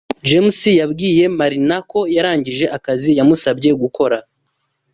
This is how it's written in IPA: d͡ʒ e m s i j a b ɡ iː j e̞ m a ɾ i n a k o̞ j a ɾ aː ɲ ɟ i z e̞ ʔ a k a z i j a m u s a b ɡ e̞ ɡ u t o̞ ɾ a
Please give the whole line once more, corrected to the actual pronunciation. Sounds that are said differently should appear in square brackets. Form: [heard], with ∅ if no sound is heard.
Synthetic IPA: d͡ʒ e m s i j a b ɡ iː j e̞ m a ɾ i n a k o̞ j a ɾ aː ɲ ɟ i [ʒ] e̞ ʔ a k a z i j a m u s a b [ɟ] e̞ ɡ u [k] o̞ ɾ a